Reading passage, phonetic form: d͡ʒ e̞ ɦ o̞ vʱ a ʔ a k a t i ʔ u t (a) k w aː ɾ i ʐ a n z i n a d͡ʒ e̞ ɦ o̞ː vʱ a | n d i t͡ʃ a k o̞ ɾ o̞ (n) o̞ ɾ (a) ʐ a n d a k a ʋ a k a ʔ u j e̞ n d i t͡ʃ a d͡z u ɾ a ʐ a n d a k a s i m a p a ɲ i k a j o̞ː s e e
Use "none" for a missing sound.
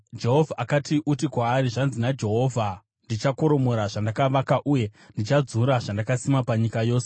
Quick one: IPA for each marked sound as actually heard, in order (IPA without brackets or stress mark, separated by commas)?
i, m, a